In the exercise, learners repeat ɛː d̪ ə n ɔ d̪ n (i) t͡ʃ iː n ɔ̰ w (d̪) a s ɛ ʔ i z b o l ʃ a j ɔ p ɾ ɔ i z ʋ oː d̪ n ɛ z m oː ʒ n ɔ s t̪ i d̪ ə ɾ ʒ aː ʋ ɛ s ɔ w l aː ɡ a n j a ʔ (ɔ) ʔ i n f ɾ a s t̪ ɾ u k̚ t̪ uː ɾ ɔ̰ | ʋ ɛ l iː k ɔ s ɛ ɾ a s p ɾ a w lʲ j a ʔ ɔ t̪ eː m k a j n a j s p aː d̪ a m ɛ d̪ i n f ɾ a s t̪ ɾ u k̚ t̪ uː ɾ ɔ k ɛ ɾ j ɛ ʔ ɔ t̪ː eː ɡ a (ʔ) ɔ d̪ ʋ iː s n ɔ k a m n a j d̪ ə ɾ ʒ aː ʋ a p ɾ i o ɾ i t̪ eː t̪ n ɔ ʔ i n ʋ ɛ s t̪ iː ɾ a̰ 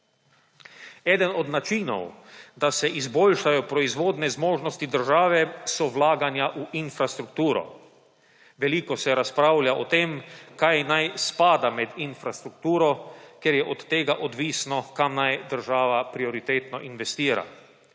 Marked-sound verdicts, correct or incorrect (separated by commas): incorrect, correct, incorrect, correct